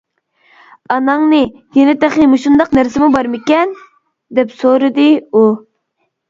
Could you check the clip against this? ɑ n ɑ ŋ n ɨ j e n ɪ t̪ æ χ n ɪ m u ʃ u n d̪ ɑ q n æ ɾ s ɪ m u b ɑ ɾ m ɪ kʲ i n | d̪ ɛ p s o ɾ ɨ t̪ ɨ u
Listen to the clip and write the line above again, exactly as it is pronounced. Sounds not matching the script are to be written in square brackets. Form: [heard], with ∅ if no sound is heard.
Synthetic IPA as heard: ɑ n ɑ ŋ n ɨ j e n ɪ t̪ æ χ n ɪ m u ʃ u n d̪ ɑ q n æ ɾ s ɪ m u b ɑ ɾ m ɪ kʲ [ɛ] n | d̪ ɛ p s o ɾ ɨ [d̪] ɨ u

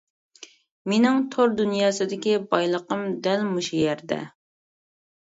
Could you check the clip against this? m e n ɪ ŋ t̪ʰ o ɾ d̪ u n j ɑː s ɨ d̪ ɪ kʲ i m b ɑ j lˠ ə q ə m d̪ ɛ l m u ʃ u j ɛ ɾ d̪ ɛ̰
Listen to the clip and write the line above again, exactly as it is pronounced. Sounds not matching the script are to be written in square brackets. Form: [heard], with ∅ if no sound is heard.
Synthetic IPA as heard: m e n ɪ ŋ t̪ʰ o ɾ d̪ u n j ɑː s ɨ d̪ ɪ kʲ i [∅] b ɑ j lˠ ə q ə m d̪ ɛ l m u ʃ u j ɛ ɾ d̪ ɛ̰

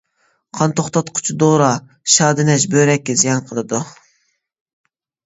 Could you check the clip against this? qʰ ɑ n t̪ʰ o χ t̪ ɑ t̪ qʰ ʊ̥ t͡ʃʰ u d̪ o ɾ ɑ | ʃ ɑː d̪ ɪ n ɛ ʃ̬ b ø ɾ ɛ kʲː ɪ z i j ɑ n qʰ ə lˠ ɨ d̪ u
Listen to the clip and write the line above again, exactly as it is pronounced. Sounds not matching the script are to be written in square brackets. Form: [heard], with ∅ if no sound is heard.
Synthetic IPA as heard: qʰ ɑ n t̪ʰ o χ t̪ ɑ t̪ qʰ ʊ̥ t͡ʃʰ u d̪ o ɾ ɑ | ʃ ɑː d̪ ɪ n ɛ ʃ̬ b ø ɾ ɛ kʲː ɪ z i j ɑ n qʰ ə lˠ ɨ d̪ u

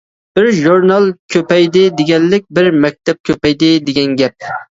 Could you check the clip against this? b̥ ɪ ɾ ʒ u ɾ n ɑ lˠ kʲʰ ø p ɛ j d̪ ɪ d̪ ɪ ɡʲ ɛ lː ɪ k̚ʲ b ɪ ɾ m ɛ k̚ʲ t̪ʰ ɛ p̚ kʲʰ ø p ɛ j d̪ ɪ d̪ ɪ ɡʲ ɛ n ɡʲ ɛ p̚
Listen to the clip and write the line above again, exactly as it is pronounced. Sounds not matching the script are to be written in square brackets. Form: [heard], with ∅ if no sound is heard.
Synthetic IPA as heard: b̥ ɪ ɾ ʒ u ɾ n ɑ lˠ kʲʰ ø p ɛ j d̪ ɪ d̪ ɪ ɡʲ ɛ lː ɪ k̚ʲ b ɪ ɾ m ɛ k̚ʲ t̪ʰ ɛ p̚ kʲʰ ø p ɛ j d̪ ɪ d̪ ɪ ɡʲ ɛ n ɡʲ ɛ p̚

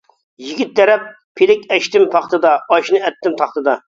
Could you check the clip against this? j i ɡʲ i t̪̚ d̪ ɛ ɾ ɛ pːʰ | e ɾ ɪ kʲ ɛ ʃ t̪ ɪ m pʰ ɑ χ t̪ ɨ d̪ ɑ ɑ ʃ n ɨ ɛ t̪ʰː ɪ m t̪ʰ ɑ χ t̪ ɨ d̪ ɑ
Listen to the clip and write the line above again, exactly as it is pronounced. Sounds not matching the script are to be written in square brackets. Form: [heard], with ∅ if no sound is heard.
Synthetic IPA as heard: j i ɡʲ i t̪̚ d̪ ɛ ɾ ɛ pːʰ | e [l] ɪ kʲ ɛ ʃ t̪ ɪ m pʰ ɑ χ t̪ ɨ d̪ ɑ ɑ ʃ n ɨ ɛ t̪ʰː ɪ m t̪ʰ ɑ χ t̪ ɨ d̪ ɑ

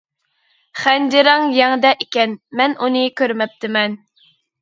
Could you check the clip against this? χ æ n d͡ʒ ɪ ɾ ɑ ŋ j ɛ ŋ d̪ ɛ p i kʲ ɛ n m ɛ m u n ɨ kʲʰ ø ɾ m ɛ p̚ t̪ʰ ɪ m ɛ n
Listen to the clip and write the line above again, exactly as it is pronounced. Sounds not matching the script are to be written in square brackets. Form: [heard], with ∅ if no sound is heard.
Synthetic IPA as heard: χ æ n d͡ʒ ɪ ɾ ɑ ŋ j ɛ ŋ d̪ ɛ [ʔ] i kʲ ɛ n m ɛ [n] u n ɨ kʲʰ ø ɾ m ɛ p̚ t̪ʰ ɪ m ɛ n

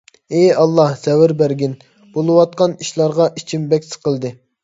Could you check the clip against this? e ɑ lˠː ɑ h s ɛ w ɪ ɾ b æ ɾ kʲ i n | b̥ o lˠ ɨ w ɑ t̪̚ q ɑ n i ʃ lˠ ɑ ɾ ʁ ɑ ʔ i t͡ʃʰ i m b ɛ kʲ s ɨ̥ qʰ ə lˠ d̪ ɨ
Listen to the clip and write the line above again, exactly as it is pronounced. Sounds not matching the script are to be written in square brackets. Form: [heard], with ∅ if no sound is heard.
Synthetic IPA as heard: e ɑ lˠː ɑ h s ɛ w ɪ ɾ b æ ɾ [ɡʲ] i n | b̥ o lˠ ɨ w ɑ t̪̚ q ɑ n i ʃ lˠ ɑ ɾ ʁ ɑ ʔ i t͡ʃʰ i m b ɛ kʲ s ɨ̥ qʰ ə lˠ d̪ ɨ

